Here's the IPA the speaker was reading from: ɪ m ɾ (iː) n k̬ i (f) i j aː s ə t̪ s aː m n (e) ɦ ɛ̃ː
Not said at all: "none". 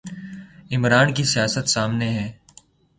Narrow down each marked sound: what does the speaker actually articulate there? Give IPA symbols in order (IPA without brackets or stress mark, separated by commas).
aː, s, e